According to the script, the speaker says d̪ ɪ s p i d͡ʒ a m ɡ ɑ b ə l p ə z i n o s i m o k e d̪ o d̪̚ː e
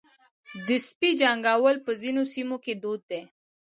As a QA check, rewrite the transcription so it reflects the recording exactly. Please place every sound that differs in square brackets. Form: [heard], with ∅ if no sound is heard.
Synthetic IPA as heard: d̪ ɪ s p i d͡ʒ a [ŋ] ɡ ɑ [w] ə l p ə z i n o s i m o k e d̪ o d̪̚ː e

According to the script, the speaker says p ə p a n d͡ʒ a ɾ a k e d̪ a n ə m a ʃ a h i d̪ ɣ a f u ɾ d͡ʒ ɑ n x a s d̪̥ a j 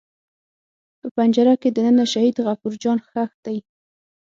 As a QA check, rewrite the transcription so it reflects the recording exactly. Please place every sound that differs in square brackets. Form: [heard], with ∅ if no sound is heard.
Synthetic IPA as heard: p ə p a n d͡ʒ a ɾ a k e d̪ [ə] n ə [n] a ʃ a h i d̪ ɣ a f u ɾ d͡ʒ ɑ n x a [x] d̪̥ a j

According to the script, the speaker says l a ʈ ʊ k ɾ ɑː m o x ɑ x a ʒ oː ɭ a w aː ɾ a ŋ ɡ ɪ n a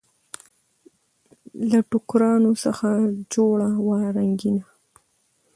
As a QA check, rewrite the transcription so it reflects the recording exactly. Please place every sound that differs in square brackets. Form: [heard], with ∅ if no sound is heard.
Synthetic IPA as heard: l a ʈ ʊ k ɾ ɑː [n] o [s] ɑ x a [d͡ʒ] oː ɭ a w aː ɾ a ŋ ɡ ɪ n a

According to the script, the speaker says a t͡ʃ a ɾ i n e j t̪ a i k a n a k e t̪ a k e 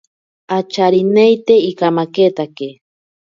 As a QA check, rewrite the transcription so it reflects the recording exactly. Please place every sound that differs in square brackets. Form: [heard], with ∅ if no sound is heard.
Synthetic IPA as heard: a t͡ʃ a ɾ i n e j t̪ [e] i k a [m] a k e t̪ a k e

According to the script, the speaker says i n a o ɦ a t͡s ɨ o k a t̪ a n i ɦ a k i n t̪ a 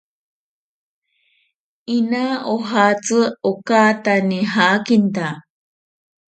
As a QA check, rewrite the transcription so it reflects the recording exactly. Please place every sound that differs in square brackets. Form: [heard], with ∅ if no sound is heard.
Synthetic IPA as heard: i n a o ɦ a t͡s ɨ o k a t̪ a n i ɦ a k i n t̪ a

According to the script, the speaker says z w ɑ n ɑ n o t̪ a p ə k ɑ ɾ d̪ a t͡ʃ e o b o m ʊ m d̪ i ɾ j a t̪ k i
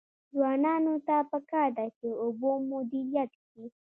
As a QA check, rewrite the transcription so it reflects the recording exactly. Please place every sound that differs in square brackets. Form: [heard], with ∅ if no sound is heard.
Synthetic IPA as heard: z w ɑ n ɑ n o t̪ a p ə k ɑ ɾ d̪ a t͡ʃ e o b o m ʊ [∅] d̪ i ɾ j a t̪ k i

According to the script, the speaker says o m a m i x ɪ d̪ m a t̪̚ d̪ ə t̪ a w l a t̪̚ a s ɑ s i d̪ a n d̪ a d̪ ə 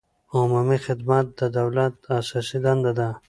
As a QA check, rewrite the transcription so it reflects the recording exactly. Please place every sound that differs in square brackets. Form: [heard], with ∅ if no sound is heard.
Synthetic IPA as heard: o m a m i x ɪ d̪ m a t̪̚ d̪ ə [d̪] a w l a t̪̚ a s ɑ s i d̪ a n d̪ a d̪ [a]

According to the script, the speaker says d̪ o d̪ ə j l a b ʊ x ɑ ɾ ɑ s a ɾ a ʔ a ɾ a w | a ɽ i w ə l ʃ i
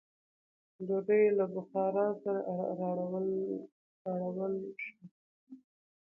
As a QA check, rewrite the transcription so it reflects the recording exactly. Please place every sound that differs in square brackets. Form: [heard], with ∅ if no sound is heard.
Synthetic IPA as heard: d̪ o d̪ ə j l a b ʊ x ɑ ɾ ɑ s a ɾ a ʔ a ɾ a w | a ɽ [a] w ə l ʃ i

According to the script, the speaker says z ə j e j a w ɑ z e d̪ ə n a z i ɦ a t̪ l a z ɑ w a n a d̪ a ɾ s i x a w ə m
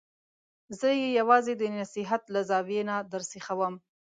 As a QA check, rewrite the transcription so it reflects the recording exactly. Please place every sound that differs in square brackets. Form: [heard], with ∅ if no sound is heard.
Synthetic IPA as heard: z ə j e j a w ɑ z e d̪ ə n a [s] i ɦ a t̪ l a z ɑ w [e] n a d̪ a ɾ s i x a w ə m

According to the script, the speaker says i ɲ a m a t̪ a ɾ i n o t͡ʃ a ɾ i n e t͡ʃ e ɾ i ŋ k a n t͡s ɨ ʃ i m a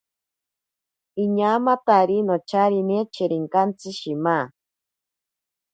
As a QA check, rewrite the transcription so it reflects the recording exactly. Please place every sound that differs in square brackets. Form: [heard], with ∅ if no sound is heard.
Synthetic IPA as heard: i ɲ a m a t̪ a ɾ i n o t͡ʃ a ɾ i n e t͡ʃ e ɾ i ŋ k a n t͡s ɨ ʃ i m a

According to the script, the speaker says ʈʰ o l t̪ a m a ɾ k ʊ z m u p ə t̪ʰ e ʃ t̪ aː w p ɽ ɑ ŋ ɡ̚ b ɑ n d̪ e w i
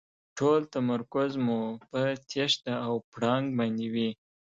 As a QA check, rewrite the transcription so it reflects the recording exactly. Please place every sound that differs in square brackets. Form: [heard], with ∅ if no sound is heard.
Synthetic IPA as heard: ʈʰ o l t̪ a m a ɾ k ʊ z m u p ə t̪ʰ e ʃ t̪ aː w p ɽ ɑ ŋ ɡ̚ b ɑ n d̪ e w i

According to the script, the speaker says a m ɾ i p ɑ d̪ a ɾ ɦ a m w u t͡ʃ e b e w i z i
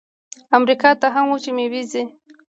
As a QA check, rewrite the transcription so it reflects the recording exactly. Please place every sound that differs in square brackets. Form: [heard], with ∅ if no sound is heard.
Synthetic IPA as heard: a m ɾ i [k] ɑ [t̪] a [∅] ɦ a m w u t͡ʃ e [m] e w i z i

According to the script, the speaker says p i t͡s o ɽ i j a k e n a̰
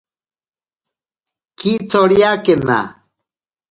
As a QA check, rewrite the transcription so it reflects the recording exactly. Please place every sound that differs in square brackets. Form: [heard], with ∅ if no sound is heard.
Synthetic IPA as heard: [k] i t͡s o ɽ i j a k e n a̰

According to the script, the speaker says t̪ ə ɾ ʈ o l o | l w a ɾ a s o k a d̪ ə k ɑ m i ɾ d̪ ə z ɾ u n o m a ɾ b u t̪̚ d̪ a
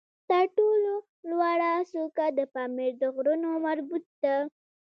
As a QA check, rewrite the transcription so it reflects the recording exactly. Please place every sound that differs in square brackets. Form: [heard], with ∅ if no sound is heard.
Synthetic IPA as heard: t̪ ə ɾ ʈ o l o | l w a [ɽ] a s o k a d̪ ə [p] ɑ m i ɾ d̪ ə [ɣ] ɾ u n o m a ɾ b u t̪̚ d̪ a

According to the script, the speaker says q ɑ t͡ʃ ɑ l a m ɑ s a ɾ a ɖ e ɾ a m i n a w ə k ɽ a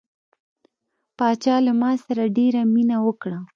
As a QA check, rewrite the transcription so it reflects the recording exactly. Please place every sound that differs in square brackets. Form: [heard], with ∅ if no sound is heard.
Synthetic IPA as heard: [p] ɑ t͡ʃ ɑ l a m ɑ s a ɾ a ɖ e ɾ a m i n a w ə k ɽ a

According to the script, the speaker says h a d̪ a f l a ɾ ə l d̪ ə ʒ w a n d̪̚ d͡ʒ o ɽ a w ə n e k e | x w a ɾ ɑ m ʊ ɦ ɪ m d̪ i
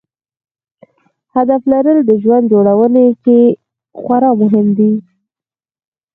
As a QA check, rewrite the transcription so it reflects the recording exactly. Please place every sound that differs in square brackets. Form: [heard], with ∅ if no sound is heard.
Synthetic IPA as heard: h a d̪ a f l a ɾ ə l d̪ ə ʒ w a n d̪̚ d͡ʒ o ɽ a w ə n e k e | x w a ɾ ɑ m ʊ ɦ ɪ m d̪ i

